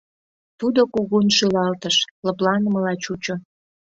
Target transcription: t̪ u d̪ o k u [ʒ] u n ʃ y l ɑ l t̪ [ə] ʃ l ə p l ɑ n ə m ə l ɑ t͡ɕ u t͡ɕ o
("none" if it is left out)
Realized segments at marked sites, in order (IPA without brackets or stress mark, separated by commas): ɣ, ə